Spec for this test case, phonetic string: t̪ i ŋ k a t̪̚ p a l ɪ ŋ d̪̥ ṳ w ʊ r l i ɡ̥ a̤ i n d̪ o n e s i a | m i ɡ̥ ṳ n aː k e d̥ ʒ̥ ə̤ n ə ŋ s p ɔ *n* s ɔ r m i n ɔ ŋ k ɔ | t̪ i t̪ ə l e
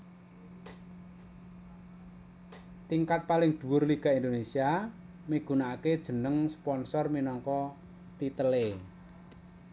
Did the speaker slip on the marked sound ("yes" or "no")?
no